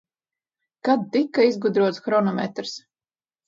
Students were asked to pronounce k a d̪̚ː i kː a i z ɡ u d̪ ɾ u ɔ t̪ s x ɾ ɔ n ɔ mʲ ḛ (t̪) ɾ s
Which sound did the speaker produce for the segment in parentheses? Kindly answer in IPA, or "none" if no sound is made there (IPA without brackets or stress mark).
t̪